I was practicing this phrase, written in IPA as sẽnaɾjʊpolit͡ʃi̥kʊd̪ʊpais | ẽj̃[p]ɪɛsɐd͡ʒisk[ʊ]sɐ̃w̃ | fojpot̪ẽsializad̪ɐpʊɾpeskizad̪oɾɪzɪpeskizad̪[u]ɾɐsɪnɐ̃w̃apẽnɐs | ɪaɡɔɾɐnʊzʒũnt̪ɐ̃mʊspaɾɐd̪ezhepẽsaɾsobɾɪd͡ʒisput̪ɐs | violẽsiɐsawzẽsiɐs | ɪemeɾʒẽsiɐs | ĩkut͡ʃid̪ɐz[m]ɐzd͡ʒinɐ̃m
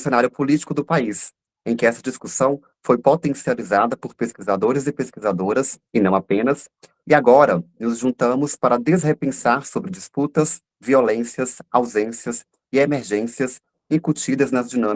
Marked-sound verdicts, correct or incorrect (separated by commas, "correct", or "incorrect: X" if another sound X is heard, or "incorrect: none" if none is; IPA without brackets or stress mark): incorrect: k, incorrect: u, incorrect: o, incorrect: n